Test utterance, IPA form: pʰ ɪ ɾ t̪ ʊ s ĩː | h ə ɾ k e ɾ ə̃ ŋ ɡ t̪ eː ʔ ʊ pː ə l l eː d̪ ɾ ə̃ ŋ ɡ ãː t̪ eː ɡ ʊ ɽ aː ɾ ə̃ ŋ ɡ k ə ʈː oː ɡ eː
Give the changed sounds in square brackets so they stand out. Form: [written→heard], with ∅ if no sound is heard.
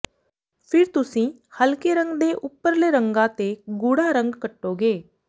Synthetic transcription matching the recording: pʰ ɪ ɾ t̪ ʊ s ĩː | h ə [ɾ→l] k e ɾ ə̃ ŋ ɡ [t̪→d̪] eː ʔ ʊ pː ə [l→ɾ] l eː [d̪→∅] ɾ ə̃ ŋ ɡ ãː t̪ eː ɡ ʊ ɽ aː ɾ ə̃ ŋ ɡ k ə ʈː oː ɡ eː